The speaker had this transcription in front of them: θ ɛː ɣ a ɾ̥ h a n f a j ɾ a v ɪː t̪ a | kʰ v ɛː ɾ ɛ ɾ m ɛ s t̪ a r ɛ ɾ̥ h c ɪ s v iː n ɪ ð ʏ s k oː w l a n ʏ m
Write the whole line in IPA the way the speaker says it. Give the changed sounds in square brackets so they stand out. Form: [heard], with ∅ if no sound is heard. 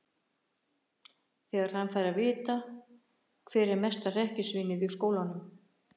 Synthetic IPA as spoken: θ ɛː ɣ a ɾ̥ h a n f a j ɾ a v ɪː t̪ a | kʰ v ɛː ɾ ɛ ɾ m ɛ s t̪ a r ɛ [∅] h c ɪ s v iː n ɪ ð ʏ s k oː w l a n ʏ m